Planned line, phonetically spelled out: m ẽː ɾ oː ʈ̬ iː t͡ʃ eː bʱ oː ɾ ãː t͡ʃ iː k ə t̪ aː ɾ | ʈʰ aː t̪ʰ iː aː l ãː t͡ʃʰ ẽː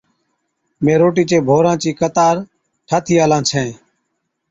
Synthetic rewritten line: m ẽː ɾ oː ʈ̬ iː t͡ʃ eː bʱ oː ɾ ãː t͡ʃ iː k ə t̪ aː ɾ | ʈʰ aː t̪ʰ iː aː l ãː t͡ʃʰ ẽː